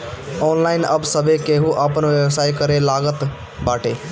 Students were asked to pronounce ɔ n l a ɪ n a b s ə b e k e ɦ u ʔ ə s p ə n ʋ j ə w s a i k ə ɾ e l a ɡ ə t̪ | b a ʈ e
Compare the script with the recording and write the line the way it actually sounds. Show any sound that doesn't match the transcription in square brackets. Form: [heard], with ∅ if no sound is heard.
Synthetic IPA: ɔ n l a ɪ n [ə] b s ə b e k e ɦ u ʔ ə [∅] p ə n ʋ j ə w s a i k ə ɾ e l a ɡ ə t̪ | b a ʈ e